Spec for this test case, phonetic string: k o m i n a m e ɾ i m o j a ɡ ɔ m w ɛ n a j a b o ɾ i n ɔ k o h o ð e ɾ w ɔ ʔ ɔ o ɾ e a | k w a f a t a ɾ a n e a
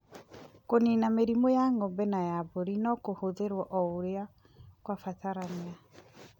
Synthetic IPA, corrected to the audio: k o n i n a m e ɾ i m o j a ŋ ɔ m b ɛ n a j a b o ɾ i n ɔ k o h o ð e ɾ w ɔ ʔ ɔ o ɾ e a | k w a f a t a ɾ a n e a

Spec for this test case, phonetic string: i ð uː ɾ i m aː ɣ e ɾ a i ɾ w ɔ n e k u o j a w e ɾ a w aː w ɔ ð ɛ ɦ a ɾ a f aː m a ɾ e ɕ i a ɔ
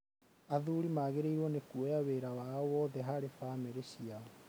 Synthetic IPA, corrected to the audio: a ð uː ɾ i m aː ɣ e ɾ e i ɾ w ɔ n e k u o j a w e ɾ a w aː w ɔ ð ɛ ɦ a ɾ e f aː m e ɾ e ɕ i a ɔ

